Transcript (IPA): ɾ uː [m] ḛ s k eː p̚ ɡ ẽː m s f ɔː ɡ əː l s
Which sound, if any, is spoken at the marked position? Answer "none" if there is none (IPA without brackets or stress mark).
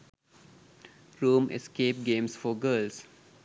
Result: m